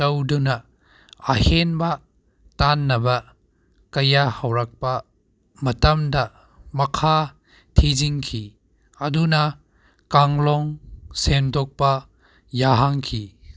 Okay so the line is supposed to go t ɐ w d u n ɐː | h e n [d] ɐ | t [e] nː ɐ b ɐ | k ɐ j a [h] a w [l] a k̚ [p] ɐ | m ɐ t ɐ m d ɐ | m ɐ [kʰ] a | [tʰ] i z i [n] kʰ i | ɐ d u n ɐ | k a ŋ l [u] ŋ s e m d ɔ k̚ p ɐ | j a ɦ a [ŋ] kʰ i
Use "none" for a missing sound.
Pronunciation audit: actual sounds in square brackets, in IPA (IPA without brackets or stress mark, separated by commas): b, a, h, ɾ, p, kʰ, tʰ, ŋ, ɔ, ŋ